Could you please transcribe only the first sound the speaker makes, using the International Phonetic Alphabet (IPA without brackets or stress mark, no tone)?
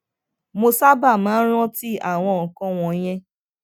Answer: m